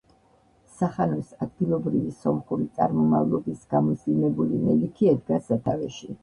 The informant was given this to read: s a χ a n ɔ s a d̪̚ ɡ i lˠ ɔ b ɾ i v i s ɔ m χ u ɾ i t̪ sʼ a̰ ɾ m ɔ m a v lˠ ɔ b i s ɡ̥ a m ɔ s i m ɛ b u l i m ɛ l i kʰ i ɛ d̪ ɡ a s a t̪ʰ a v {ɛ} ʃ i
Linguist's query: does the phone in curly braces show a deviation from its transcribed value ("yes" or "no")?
no